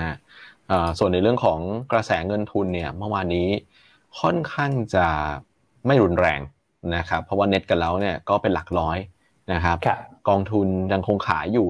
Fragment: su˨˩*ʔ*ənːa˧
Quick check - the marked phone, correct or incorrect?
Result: incorrect